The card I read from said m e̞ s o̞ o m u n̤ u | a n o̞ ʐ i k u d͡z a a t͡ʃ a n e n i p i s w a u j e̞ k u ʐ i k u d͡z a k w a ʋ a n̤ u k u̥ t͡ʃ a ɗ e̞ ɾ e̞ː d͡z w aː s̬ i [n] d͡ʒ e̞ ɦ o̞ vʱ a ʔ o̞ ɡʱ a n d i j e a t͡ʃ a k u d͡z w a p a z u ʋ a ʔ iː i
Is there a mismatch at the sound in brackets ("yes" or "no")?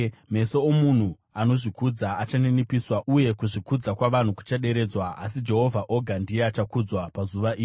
yes